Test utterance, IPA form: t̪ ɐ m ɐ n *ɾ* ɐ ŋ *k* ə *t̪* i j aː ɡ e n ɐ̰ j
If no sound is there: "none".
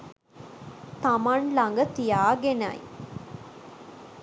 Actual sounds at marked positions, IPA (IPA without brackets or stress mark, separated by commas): l, ɡ, t̪